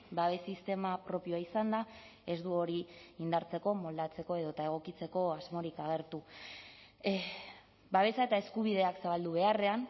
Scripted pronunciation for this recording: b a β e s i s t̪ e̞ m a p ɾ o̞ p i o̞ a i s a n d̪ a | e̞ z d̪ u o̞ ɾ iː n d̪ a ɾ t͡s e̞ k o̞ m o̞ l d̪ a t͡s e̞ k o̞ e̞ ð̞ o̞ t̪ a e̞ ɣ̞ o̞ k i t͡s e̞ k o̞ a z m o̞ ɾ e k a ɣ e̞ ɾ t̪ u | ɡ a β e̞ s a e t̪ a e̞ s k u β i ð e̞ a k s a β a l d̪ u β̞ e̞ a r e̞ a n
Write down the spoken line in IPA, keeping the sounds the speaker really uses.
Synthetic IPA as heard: b a β e s i s t̪ e̞ m a p ɾ o̞ p i o̞ a i s a n d̪ a | e̞ z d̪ u o̞ ɾ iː n d̪ a ɾ t͡s e̞ k o̞ m o̞ l d̪ a t͡s e̞ k o̞ e̞ ð̞ o̞ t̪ a e̞ ɣ̞ o̞ k i t͡s e̞ k o̞ a z m o̞ ɾ i k a ɣ e̞ ɾ t̪ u | b a β e̞ s a e t̪ a e̞ s k u β i ð e̞ a k s a β a l d̪ u β̞ e̞ a r e̞ a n